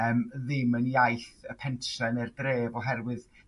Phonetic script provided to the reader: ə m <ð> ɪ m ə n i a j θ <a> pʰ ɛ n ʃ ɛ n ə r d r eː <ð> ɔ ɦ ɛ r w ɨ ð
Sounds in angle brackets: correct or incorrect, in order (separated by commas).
correct, incorrect, incorrect